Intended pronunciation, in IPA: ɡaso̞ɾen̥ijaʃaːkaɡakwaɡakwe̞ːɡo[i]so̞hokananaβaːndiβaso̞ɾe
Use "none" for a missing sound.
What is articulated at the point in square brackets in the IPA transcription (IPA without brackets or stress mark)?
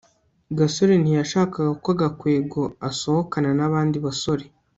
a